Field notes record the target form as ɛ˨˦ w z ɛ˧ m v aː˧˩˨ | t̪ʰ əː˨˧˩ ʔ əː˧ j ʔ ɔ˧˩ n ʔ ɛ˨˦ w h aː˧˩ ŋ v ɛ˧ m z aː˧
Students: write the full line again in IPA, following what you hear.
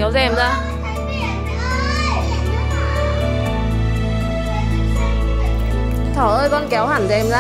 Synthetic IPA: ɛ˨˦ w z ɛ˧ m z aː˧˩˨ | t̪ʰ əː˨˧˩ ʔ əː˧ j k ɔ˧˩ n k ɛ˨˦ w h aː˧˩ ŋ z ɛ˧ m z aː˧

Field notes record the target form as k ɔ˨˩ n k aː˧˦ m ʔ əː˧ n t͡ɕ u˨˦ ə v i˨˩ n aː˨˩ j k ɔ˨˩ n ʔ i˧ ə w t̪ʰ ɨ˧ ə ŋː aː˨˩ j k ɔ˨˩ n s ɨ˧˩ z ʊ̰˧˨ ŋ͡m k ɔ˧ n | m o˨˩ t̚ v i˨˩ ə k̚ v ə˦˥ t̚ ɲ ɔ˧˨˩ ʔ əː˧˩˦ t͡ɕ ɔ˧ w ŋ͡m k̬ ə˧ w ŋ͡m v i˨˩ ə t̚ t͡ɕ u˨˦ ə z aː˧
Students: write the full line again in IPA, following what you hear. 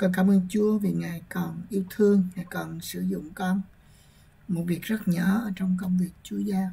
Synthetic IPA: k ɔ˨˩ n k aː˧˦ m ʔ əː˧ n t͡ɕ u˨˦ ə v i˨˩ ŋ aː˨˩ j k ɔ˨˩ n ʔ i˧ ə w t̪ʰ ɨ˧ ə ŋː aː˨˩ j k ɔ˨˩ n s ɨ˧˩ z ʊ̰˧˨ ŋ͡m k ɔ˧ n | m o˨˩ t̚ v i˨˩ ə k̚ z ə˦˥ t̚ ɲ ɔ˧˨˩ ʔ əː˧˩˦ t͡ɕ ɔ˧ w ŋ͡m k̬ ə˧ w ŋ͡m v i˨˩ ə k̚ t͡ɕ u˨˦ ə z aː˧

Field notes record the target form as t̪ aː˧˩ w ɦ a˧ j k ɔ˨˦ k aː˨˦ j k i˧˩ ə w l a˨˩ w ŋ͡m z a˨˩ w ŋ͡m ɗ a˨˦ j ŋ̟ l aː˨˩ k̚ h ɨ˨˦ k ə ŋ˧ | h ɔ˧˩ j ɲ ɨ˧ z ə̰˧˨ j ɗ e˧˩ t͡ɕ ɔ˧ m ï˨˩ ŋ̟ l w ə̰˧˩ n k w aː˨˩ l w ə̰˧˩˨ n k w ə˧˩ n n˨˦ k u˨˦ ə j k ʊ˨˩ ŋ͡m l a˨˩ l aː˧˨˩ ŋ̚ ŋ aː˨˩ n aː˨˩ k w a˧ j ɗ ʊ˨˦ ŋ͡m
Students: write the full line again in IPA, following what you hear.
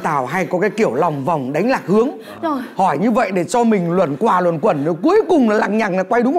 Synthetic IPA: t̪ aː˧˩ w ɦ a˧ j k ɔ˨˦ k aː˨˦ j k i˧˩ ə w l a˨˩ w ŋ͡m v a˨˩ w ŋ͡m ɗ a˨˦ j ŋ̟ l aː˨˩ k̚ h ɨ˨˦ ə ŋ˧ | h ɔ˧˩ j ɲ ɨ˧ v ə̰˧˨ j ɗ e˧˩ t͡ɕ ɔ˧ m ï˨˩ ŋ̟ l w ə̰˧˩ n k w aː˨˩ l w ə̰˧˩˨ n k w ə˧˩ n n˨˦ k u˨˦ ə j k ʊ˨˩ ŋ͡m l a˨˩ l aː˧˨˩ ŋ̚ ɲ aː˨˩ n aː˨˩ k w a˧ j ɗ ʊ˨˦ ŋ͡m

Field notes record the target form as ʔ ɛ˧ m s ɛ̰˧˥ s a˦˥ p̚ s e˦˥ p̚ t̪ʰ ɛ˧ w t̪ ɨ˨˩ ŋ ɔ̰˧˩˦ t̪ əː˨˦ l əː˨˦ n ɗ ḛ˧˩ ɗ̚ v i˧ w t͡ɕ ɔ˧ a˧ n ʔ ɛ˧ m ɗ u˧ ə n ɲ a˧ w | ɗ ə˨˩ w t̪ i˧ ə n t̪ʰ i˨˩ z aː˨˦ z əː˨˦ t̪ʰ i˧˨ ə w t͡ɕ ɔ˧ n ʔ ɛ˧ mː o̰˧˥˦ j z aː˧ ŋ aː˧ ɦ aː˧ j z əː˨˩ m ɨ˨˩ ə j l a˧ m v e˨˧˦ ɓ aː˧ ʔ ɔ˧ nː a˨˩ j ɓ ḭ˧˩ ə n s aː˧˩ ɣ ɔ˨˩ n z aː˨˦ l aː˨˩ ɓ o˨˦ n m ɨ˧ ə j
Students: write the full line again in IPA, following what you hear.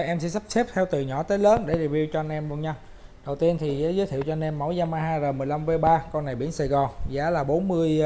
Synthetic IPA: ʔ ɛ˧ m s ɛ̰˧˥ s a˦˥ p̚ s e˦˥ p̚ t̪ʰ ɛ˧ w t̪ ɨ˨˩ ɲ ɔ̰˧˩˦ t̪ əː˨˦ l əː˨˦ n ɗ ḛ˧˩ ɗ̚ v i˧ w t͡ɕ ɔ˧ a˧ n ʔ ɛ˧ m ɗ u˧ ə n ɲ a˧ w | ɗ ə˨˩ w t̪ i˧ ə n t̪ʰ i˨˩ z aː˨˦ z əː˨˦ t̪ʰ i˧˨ ə w t͡ɕ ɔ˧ n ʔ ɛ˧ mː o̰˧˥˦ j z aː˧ m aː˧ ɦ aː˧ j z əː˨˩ m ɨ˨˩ ə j l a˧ m v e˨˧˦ ɓ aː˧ k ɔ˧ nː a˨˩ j ɓ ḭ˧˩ ə n s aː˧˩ ɣ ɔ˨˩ n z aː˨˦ l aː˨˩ ɓ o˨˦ n m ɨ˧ ə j

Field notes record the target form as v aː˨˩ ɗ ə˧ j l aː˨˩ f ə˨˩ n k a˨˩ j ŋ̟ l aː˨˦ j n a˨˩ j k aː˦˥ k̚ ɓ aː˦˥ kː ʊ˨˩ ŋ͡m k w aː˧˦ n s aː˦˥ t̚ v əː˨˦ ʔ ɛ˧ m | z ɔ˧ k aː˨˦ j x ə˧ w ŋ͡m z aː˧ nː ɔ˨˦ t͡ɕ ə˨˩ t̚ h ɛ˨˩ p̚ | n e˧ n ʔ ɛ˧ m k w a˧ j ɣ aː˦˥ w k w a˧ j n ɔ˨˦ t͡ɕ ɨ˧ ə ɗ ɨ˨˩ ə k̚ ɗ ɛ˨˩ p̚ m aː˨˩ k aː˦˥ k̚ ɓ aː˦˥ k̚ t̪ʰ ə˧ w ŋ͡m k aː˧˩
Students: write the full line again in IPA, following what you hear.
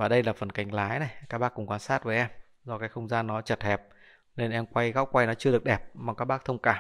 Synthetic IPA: v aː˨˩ ɗ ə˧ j l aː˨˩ f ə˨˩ n k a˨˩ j ŋ̟ l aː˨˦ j n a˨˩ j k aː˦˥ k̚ ɓ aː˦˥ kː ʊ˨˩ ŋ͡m k w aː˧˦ n s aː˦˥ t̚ v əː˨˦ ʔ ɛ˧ m | z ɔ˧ k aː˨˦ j x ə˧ w ŋ͡m z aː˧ nː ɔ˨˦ t͡ɕ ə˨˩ t̚ h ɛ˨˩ p̚ | n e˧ n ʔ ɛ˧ m k w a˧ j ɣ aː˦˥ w k w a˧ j n ɔ˨˦ t͡ɕ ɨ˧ ə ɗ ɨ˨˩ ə k̚ ɗ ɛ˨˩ p̚ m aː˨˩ k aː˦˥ k̚ ɓ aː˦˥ k̚ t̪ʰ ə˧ w ŋ͡m k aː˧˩

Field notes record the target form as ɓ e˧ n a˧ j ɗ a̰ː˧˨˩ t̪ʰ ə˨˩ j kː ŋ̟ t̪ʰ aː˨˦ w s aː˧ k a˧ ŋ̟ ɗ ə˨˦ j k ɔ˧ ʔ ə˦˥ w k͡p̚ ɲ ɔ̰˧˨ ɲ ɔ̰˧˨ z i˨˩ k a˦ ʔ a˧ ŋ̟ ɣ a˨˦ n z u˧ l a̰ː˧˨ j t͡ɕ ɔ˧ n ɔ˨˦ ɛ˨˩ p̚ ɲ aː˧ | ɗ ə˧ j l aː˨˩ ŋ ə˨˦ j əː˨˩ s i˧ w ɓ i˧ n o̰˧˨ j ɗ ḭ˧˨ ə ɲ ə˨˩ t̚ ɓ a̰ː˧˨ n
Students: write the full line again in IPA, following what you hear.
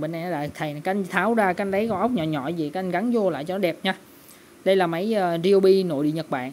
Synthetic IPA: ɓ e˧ n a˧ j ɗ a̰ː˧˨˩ t̪ʰ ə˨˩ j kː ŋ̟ t̪ʰ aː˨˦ w z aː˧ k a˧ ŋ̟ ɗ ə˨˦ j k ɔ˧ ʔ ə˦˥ w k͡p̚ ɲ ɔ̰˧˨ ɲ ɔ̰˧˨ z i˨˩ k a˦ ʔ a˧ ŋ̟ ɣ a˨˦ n z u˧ l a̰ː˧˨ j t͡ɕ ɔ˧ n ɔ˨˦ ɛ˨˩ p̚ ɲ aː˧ | ɗ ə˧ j l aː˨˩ m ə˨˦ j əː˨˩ z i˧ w ɓ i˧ n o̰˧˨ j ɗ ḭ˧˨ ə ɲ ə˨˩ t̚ ɓ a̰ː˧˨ n

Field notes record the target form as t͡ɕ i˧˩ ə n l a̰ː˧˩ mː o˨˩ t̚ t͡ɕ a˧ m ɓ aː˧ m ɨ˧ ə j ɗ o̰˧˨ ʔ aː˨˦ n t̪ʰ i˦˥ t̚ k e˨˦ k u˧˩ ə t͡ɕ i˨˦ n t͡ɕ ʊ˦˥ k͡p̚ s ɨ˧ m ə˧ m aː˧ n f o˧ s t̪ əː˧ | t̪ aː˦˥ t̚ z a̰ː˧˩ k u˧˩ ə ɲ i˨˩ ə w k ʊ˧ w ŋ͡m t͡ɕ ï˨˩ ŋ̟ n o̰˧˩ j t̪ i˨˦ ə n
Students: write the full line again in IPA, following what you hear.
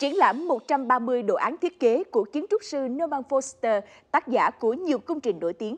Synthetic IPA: t͡ɕ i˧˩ ə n l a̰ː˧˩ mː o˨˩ t̚ t͡ɕ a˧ m ɓ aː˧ m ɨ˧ ə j ɗ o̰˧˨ ʔ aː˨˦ n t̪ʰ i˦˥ t̚ k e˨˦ k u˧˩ ə t͡ɕ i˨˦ n t͡ɕ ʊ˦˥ k͡p̚ s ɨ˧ n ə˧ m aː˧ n f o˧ s t̪ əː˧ | t̪ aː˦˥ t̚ z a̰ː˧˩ k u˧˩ ə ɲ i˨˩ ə w k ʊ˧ w ŋ͡m t͡ɕ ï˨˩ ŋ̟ n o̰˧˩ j t̪ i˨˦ ə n

